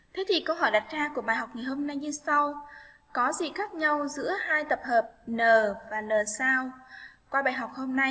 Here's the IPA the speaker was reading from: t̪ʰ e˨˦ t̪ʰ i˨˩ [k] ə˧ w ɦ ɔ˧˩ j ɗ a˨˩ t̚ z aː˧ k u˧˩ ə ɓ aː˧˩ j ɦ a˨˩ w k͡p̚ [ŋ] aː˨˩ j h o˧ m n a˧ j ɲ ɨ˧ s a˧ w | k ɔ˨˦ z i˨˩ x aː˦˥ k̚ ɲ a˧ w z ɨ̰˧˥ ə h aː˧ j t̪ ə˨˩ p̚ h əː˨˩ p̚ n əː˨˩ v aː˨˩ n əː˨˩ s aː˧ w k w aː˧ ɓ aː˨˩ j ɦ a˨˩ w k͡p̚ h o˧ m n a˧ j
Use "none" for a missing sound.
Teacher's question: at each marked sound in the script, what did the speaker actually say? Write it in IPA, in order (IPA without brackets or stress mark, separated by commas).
k, ŋ